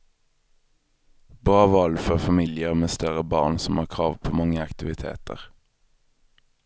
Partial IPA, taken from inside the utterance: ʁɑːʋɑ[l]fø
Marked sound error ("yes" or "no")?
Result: no